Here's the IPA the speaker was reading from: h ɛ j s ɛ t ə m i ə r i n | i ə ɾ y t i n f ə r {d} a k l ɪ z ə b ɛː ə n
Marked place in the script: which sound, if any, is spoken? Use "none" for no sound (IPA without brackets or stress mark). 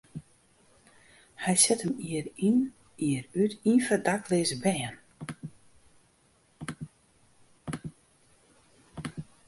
d